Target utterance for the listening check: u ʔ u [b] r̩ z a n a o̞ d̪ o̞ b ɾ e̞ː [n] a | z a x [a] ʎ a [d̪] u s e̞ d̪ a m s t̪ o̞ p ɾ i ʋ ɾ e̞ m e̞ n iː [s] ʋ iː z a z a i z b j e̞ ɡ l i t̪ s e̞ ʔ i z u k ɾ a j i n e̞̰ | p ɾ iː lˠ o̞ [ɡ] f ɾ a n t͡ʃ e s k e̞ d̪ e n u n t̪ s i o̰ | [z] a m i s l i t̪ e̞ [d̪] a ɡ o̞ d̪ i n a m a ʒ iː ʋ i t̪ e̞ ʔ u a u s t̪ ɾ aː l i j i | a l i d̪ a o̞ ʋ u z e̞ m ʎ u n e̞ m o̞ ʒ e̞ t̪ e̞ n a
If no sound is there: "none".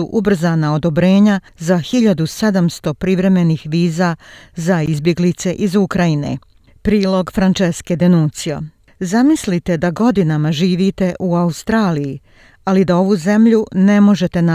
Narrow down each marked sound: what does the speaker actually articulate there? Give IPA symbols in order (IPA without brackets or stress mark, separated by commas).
b, ɲ, i, d̪, x, ɡ, z, d̪